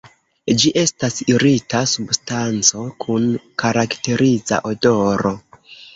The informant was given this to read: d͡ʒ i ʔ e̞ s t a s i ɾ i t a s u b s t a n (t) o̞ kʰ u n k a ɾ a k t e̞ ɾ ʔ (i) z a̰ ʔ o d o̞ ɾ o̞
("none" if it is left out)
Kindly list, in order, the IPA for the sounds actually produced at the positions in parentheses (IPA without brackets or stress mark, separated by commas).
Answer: t͡s, i